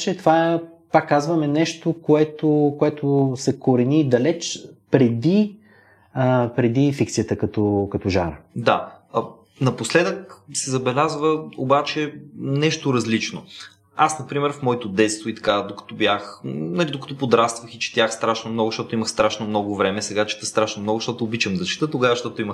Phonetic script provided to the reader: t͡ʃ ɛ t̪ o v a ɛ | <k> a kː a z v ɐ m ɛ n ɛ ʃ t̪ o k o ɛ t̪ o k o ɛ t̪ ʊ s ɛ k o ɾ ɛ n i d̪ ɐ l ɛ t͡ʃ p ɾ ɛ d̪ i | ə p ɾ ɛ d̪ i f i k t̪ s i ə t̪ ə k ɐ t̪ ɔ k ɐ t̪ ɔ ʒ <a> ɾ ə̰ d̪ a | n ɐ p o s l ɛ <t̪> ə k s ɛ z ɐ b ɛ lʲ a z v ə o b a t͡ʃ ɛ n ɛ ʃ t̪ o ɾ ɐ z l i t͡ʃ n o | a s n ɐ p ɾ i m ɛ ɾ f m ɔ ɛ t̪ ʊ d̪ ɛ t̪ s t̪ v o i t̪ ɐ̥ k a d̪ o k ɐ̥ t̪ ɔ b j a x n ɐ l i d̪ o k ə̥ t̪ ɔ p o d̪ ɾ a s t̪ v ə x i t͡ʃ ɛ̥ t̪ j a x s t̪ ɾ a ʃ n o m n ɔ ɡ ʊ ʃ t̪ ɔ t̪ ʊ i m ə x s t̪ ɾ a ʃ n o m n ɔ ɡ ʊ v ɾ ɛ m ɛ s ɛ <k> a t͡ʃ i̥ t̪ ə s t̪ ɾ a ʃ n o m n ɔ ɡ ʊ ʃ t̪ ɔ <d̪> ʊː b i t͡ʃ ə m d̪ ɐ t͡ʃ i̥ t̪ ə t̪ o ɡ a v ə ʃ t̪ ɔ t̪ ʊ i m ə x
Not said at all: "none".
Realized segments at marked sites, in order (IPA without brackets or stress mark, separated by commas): p, a, d̪, ɡ, t̪